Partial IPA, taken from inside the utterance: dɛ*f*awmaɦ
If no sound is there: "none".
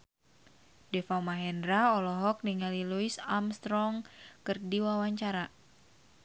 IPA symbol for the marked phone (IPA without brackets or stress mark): f